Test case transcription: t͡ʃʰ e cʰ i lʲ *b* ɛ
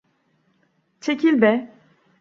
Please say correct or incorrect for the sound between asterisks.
correct